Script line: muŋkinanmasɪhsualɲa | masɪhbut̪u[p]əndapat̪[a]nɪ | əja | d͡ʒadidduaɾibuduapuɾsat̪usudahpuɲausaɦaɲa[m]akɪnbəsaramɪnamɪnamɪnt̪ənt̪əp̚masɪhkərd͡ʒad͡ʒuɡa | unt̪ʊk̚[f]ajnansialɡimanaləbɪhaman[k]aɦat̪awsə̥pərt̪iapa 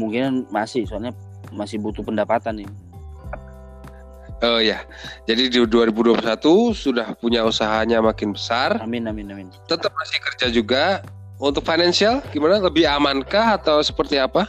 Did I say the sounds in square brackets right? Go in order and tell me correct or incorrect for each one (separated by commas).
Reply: correct, correct, correct, correct, correct